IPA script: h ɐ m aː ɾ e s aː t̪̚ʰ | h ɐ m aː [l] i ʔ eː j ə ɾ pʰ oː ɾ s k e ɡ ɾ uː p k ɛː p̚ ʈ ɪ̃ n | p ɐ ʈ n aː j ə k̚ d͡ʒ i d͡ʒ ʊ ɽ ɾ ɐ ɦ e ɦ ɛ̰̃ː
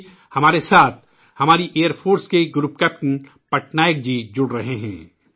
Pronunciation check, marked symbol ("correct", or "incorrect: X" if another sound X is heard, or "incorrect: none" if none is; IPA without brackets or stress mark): incorrect: ɾ